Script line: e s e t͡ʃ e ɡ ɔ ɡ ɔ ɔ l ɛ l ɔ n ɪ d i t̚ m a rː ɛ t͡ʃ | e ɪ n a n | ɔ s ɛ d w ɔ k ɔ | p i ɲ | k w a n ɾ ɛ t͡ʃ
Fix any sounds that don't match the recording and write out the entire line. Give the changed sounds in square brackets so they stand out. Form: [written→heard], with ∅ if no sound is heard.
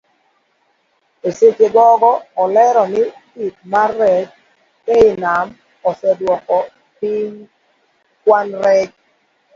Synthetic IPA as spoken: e s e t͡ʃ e ɡ ɔ ɡ ɔ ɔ l ɛ [l→ɾ] ɔ n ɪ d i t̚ m a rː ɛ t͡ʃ | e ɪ n a [n→m] | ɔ s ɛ d w ɔ k ɔ | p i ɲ | k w a n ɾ ɛ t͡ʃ